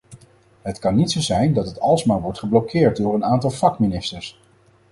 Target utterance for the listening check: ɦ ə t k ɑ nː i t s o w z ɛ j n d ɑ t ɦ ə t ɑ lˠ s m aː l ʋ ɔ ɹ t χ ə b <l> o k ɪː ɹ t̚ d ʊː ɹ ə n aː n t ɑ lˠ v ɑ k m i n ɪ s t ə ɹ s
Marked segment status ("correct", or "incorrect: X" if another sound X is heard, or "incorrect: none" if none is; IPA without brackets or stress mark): correct